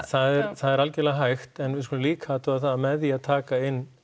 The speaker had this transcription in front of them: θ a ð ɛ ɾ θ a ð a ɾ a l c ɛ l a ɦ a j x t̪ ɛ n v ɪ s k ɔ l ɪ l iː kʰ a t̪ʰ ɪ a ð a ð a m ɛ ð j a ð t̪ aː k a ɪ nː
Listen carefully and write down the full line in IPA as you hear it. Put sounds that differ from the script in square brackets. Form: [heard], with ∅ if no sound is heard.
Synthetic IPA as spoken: θ a ð ɛ ɾ θ a ð [ɛ] ɾ a l c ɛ l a ɦ a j x t̪ ɛ n v ɪ s k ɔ l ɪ l iː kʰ a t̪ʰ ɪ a [θ] a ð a m ɛ ð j a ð [t̪ʰ] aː k a ɪ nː